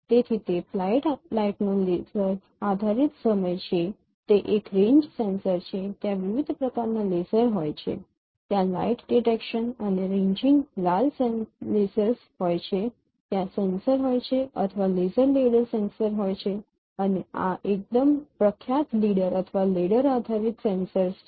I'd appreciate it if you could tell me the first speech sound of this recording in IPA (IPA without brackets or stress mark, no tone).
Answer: t̪